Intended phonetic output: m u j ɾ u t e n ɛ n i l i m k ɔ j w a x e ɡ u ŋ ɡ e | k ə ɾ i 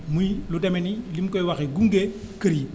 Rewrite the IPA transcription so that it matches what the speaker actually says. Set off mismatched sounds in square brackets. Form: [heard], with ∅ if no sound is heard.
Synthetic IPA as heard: m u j [l] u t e [m] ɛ n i l i m k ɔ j w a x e ɡ u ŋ ɡ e | k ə ɾ i

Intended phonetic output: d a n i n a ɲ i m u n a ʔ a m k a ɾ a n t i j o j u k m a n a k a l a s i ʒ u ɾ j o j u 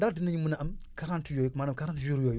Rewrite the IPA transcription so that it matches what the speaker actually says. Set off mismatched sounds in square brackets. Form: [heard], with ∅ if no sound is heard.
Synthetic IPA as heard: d a [d] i n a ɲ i m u n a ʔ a m k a ɾ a n t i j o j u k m a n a k a [ɾ] a [t] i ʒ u ɾ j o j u

